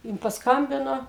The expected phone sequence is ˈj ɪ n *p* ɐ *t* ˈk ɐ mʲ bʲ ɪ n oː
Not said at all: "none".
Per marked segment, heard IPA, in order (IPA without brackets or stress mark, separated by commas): p, s